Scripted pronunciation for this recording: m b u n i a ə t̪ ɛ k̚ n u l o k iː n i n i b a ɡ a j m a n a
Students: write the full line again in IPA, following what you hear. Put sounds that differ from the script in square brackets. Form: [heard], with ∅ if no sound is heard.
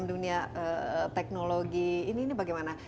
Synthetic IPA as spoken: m [d] u n i a ə t̪ ɛ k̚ n [o] l o [ɡ] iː n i n i b a ɡ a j m a n a